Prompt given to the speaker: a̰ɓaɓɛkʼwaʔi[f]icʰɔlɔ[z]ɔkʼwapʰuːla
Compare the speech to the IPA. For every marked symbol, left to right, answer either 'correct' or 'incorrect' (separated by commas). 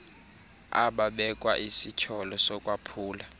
incorrect, incorrect